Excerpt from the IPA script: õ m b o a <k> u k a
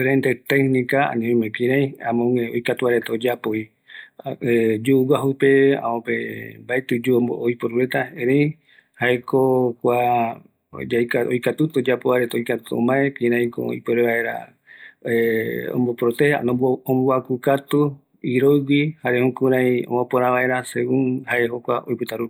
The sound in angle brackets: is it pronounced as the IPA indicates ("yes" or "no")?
yes